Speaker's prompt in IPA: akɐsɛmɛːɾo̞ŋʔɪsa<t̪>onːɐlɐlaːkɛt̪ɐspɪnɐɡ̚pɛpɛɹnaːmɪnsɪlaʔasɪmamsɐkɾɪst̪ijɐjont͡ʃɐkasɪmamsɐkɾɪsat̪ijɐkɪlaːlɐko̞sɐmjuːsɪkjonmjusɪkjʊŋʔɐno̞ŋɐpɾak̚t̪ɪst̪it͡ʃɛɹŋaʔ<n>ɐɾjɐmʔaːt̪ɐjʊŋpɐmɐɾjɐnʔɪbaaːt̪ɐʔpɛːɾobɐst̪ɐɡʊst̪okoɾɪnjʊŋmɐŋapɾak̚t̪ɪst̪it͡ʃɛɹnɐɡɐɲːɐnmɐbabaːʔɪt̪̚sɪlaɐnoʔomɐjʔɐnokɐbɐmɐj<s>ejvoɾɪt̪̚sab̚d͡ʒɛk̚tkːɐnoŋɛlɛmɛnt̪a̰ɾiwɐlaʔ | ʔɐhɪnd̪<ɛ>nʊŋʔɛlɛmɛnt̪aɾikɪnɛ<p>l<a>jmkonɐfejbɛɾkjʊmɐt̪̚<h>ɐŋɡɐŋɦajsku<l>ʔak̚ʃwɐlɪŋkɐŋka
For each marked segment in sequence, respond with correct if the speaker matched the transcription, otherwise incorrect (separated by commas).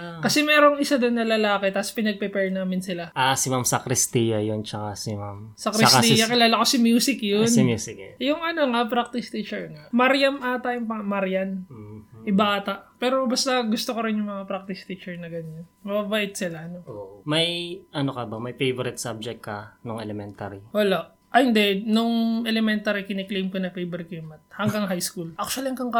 incorrect, incorrect, incorrect, correct, incorrect, incorrect, correct, correct